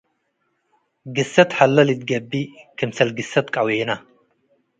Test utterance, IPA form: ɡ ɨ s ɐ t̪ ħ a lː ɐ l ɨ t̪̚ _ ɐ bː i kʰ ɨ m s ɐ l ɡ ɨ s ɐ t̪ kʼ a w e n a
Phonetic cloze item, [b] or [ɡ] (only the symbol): ɡ